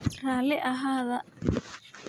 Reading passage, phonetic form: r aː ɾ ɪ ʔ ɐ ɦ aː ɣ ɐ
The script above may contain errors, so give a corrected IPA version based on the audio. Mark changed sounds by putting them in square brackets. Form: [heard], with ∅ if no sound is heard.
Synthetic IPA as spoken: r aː [l] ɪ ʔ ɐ ɦ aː [ð] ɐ